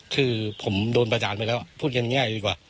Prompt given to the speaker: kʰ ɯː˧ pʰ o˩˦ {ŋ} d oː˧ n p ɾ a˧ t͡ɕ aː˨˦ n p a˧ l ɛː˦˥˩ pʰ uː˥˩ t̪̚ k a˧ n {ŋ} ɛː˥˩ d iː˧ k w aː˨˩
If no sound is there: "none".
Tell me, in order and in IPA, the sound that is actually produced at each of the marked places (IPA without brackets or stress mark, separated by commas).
m, ŋ